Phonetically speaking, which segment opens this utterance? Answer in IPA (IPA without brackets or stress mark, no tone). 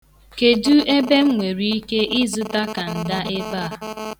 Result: k